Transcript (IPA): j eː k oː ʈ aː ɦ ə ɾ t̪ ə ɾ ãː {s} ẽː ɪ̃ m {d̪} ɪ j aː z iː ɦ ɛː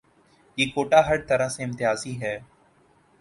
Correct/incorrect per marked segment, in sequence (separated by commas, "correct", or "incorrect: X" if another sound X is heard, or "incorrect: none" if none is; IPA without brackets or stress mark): correct, incorrect: t̪